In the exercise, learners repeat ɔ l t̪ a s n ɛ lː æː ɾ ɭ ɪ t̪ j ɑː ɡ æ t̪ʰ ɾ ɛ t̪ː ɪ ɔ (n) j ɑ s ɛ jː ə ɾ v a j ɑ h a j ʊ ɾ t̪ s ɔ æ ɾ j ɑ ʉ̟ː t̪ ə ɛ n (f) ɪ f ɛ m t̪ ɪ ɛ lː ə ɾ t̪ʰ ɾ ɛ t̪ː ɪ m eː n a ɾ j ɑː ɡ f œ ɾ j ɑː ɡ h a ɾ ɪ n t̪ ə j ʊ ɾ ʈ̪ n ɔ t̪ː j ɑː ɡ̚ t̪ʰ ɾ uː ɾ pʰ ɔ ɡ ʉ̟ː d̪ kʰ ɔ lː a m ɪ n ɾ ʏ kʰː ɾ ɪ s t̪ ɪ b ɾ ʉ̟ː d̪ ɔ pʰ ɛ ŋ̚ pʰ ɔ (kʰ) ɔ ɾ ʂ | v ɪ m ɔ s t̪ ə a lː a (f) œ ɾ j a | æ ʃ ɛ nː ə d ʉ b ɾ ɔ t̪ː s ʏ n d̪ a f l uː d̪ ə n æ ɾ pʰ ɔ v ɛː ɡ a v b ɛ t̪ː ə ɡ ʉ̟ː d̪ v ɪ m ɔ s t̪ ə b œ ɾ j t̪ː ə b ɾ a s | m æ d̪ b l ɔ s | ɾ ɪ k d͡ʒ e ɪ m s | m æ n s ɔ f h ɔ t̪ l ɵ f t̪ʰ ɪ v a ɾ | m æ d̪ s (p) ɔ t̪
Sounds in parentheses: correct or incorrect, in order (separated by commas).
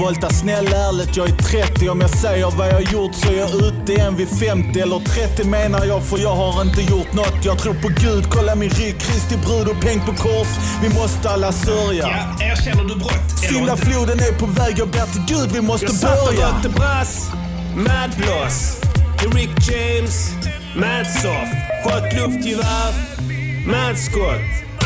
incorrect, incorrect, correct, incorrect, incorrect